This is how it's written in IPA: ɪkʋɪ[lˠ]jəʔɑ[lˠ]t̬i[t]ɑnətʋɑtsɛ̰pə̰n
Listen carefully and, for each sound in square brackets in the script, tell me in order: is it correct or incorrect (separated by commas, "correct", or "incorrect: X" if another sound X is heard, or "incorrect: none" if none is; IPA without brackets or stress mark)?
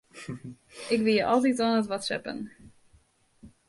correct, correct, correct